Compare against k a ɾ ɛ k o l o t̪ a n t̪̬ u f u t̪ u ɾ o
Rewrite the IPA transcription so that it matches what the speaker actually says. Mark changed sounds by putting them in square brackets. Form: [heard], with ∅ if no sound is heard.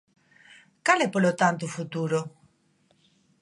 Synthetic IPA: k a [l] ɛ [p] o l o t̪ a n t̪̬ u f u t̪ u ɾ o